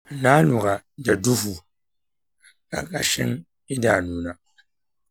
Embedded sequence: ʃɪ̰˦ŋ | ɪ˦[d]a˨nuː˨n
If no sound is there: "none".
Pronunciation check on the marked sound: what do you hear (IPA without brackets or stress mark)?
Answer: d